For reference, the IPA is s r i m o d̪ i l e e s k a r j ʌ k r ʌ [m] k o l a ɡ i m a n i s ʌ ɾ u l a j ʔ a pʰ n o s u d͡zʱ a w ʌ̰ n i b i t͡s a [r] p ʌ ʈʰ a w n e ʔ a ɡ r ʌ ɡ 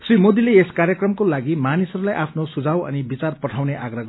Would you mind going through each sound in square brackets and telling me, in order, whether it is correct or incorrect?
correct, correct

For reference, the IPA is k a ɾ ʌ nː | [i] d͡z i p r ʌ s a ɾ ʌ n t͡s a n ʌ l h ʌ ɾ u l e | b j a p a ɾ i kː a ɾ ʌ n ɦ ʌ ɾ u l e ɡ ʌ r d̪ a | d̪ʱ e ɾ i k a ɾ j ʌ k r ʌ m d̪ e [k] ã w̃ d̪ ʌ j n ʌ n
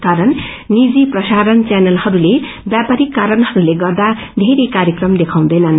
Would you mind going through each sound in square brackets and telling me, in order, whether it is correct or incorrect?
correct, incorrect: kʰ

